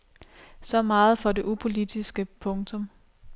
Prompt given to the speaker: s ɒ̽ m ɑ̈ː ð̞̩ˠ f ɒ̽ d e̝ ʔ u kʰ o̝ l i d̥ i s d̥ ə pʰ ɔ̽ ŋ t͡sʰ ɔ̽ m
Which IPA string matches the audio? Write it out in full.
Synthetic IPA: s ɒ̽ m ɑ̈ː ð̞̩ˠ f ɒ̽ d e̝ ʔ u pʰ o̝ l i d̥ i s ɡ̥ ə pʰ ɔ̽ ŋ t͡sʰ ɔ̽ m

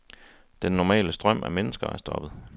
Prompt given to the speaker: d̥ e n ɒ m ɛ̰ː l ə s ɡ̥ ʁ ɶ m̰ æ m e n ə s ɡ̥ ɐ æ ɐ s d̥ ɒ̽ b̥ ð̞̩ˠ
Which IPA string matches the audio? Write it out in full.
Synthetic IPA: d̥ e nː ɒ m ɛ̰ː l ə s d̥ ʁ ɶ m̰ æ m e n ə s ɡ̥ ɐ æ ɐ s d̥ ɒ̽ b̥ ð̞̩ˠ

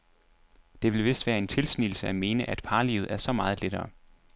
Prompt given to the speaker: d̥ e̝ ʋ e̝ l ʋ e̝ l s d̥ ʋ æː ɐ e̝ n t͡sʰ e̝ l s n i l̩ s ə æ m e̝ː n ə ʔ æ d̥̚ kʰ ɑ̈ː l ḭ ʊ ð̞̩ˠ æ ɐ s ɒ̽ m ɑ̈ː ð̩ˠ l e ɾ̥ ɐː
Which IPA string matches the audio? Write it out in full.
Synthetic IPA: d̥ e̝ ʋ e̝ l ʋ e̝ s d̥ ʋ æː ɐ e̝ n t͡sʰ e̝ l s n i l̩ s ə æ m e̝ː n ə ʔ æ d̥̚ pʰ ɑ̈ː l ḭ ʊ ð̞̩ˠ æ ɐ s ɒ̽ m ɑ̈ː ð̩ˠ l e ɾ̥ ɐː

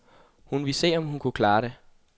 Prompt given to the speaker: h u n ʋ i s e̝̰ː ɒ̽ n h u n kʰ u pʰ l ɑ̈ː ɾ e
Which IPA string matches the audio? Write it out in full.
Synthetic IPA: h u n ʋ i s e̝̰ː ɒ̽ m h u n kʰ u kʰ l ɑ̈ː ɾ e

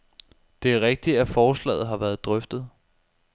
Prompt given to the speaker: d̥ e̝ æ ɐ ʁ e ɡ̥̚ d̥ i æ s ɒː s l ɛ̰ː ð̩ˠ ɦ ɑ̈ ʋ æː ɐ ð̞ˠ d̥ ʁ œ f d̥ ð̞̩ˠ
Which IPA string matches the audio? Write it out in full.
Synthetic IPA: d̥ e̝ æ ɐ ʁ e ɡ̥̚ d̥ i æ f ɒː s l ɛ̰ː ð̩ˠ ɦ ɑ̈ ʋ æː ɐ ð̞ˠ d̥ ʁ œ f d̥ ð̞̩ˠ

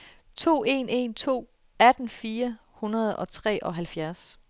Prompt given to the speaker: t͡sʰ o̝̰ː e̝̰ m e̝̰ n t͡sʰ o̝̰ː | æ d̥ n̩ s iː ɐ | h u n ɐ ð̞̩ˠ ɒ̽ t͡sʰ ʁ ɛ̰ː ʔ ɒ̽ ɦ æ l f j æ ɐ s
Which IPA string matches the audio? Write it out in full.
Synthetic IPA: t͡sʰ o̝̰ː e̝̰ n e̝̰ n t͡sʰ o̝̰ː | æ d̥ n̩ f iː ɐ | h u n ɐ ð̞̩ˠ ɒ̽ t͡sʰ ʁ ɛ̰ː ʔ ɒ̽ ɦ æ l f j æ ɐ s

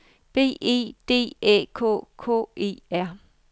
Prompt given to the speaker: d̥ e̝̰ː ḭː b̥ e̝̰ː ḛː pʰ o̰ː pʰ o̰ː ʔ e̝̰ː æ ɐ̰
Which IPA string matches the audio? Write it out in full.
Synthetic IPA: b̥ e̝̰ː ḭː d̥ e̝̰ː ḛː kʰ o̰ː kʰ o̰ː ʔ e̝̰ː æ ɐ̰

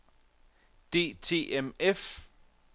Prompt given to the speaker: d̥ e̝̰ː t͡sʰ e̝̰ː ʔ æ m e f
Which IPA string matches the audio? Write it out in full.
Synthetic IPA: d̥ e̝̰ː t͡sʰ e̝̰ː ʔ e m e f

